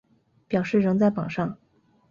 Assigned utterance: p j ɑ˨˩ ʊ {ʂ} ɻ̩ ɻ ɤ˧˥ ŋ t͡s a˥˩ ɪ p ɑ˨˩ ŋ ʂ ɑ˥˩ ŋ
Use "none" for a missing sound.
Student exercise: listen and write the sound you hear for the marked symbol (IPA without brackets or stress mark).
ʂ